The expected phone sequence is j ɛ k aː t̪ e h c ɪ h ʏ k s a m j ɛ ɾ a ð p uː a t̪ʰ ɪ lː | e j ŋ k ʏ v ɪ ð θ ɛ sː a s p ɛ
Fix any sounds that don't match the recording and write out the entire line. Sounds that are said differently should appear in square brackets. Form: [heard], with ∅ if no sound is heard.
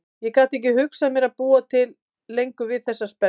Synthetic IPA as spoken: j ɛ k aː t̪ e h c ɪ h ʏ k s a m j ɛ ɾ a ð p uː a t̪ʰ ɪ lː | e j ŋ k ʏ v ɪ ð θ ɛ sː a s p ɛ